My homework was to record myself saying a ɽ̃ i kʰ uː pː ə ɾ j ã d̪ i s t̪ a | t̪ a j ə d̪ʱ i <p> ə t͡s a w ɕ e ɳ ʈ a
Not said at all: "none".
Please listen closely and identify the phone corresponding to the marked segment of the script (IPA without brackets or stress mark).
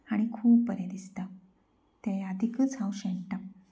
k